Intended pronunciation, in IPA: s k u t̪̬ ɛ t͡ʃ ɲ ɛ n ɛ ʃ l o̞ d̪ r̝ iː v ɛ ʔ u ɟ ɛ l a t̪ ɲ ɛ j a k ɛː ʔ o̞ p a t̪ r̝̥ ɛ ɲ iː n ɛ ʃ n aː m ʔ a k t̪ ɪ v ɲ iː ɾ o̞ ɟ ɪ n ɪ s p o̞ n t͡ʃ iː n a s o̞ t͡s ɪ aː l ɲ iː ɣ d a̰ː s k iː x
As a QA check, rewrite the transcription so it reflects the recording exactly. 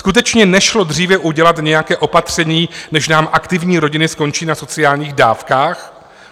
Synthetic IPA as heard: s k u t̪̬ ɛ t͡ʃ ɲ ɛ n ɛ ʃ l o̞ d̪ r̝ iː v ɛ ʔ u ɟ ɛ l a t̪ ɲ ɛ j a k ɛː ʔ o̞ p a t̪ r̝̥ ɛ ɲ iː n ɛ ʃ n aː m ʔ a k t̪ ɪ v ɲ iː ɾ o̞ ɟ ɪ n ɪ s k o̞ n t͡ʃ iː n a s o̞ t͡s ɪ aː l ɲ iː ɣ d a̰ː f k aː x